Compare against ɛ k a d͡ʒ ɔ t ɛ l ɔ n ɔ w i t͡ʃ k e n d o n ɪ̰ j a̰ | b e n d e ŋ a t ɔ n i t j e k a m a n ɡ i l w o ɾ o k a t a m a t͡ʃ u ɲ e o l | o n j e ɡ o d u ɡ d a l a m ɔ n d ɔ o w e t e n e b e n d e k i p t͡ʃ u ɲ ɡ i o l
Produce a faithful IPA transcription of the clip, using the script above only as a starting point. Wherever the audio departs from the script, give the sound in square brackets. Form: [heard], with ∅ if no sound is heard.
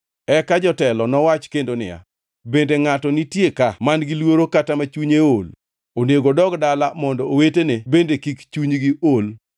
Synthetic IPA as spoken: ɛ k a d͡ʒ ɔ t ɛ l ɔ n ɔ w [a] t͡ʃ k e n d o n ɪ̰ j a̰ | b e n d e ŋ a t ɔ n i t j e k a m a n ɡ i l w o ɾ o k a t a m a t͡ʃ u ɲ e o l | o n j e ɡ o d [ɔ] ɡ d a l a m ɔ n d ɔ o w e t e n e b e n d e k i [k] t͡ʃ u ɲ ɡ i o l